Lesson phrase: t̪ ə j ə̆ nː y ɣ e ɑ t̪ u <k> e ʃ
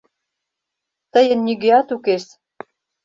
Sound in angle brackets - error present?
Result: no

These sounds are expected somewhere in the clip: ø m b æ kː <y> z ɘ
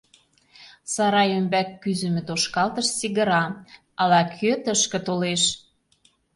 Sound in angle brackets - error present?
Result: no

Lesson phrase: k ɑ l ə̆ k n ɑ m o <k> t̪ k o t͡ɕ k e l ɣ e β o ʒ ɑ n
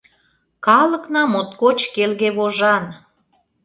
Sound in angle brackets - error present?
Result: yes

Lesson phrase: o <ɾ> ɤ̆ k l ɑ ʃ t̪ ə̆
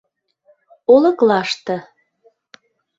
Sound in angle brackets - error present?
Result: yes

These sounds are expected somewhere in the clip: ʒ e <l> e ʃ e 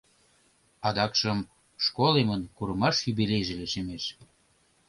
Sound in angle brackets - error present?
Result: no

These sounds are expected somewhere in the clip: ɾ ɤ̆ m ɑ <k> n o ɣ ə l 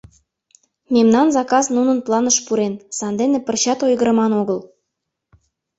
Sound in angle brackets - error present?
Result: yes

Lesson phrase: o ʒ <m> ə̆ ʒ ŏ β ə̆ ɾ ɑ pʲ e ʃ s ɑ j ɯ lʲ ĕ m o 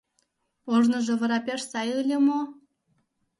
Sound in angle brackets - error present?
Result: yes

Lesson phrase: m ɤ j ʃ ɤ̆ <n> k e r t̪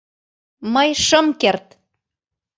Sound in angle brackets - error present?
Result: yes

